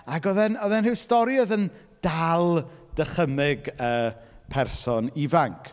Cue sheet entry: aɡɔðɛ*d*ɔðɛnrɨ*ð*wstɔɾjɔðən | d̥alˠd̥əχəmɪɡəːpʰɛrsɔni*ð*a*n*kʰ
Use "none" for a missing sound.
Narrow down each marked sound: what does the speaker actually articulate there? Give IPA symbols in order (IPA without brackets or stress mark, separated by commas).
n, none, v, ŋ